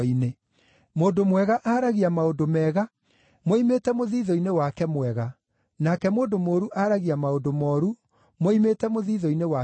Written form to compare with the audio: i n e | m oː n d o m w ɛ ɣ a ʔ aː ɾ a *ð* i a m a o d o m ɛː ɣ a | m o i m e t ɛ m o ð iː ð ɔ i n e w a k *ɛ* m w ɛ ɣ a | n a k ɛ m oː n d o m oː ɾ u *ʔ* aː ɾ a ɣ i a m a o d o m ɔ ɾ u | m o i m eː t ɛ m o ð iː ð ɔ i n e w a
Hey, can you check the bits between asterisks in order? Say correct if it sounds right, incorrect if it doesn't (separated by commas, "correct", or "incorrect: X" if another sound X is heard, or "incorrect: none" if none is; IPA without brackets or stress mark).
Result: incorrect: ɣ, correct, correct